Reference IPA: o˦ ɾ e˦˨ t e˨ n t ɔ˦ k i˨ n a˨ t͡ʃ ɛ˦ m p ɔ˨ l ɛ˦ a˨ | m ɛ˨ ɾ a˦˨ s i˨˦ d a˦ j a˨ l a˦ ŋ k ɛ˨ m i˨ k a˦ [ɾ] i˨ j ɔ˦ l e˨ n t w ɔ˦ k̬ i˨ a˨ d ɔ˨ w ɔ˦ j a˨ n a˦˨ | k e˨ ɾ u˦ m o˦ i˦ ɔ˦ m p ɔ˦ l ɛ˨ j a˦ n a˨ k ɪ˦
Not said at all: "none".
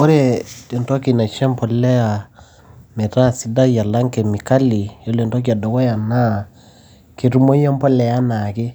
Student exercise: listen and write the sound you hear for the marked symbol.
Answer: l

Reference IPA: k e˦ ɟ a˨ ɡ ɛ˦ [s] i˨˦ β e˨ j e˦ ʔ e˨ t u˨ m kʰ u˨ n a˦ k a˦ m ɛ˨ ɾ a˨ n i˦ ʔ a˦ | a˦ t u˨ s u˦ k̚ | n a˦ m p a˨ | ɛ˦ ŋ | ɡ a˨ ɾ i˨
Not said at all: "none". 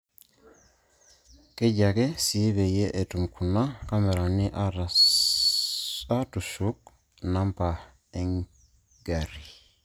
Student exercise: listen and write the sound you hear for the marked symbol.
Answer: s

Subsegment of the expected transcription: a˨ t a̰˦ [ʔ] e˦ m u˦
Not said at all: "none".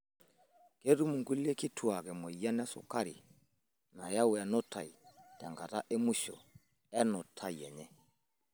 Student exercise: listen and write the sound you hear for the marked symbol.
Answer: ʔ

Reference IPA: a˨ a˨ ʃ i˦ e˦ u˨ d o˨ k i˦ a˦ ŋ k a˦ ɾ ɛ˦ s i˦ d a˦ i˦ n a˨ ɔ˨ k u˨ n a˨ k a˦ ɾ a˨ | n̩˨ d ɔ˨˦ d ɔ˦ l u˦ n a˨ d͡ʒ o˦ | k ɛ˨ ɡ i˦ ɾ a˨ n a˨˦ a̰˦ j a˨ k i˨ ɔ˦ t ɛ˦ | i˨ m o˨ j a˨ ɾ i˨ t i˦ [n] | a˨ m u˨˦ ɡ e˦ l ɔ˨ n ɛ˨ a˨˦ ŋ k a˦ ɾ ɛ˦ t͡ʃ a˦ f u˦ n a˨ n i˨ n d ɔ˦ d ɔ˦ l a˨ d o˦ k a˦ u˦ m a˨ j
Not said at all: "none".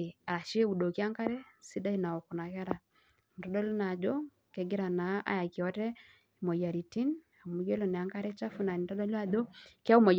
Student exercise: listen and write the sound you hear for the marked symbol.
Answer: n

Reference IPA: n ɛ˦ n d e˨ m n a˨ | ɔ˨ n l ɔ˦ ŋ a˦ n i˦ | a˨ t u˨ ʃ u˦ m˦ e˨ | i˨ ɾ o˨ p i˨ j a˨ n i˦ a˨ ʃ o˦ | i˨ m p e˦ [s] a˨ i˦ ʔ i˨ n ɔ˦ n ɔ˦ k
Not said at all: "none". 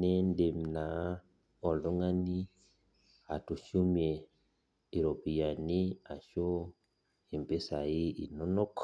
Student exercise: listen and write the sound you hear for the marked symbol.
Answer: s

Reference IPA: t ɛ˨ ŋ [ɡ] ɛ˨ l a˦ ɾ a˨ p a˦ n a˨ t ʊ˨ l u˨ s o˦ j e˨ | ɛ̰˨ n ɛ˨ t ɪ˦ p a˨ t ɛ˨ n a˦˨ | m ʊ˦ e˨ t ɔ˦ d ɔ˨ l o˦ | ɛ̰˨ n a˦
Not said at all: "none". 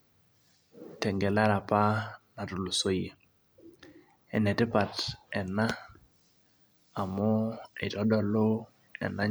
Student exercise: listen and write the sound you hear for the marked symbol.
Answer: ɡ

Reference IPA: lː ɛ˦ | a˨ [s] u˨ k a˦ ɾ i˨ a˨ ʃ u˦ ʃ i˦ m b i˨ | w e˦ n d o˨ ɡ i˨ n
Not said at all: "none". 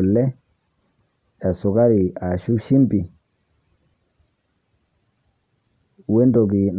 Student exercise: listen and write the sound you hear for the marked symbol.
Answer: s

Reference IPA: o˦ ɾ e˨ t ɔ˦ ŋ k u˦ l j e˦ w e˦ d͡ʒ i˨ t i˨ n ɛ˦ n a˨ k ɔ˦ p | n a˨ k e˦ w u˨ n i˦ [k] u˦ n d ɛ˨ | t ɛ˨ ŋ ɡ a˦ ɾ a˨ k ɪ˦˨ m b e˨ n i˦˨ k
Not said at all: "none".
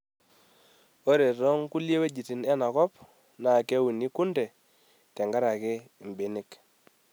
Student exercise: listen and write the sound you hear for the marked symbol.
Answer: k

